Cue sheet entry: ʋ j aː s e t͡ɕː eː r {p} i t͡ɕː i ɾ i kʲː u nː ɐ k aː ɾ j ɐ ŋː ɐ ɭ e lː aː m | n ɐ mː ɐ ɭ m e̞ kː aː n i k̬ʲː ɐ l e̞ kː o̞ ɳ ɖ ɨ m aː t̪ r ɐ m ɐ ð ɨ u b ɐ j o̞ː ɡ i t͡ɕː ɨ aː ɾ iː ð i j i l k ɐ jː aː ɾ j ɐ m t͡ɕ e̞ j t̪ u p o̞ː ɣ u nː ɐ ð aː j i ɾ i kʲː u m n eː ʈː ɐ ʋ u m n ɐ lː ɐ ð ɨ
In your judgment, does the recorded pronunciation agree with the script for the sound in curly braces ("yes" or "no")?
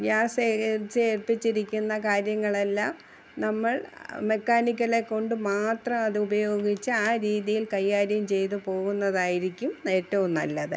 yes